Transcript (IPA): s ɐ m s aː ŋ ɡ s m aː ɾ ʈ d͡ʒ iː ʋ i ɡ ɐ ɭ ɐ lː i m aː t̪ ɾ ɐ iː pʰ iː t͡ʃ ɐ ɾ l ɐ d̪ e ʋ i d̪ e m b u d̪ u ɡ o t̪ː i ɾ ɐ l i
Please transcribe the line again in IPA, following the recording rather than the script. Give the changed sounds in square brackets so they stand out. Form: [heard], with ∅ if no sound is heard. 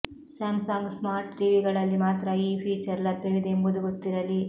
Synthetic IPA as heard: s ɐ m s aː ŋ ɡ s m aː ɾ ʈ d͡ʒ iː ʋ i ɡ ɐ ɭ ɐ lː i m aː t̪ ɾ ɐ iː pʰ iː t͡ʃ ɐ ɾ l ɐ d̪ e ʋ i d̪ e m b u d̪ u ɡ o t̪ː i ɾ ɐ l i